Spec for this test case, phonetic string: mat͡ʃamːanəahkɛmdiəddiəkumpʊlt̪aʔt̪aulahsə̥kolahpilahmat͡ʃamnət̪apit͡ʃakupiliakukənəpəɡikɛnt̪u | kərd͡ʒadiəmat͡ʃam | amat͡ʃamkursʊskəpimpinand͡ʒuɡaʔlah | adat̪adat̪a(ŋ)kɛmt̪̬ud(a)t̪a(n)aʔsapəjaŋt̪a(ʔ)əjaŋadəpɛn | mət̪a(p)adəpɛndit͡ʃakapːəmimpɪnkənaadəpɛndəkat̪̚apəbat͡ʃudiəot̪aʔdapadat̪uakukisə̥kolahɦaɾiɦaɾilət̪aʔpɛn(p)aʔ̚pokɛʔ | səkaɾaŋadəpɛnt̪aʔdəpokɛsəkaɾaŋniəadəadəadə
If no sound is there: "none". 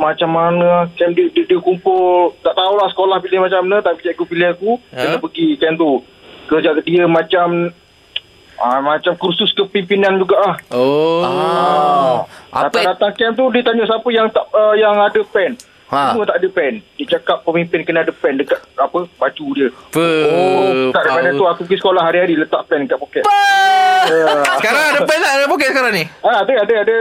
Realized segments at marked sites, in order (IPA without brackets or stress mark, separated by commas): ŋ, i, ɲ, ʔ, ʔ, k